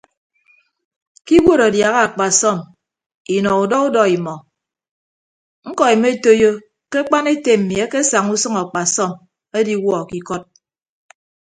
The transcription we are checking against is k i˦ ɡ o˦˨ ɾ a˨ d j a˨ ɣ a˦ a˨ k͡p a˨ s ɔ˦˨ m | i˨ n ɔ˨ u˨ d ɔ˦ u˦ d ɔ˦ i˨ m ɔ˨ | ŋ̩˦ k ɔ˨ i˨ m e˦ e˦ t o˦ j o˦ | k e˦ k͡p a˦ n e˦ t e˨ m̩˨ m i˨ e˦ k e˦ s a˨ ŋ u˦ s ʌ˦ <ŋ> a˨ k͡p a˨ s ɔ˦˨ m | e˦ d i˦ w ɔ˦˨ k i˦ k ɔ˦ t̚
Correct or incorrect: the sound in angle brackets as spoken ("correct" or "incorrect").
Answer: correct